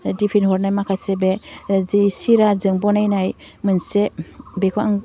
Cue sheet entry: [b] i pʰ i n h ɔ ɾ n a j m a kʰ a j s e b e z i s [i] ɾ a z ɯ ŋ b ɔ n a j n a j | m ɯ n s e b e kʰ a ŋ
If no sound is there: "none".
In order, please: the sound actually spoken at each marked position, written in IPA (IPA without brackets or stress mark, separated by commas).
d, i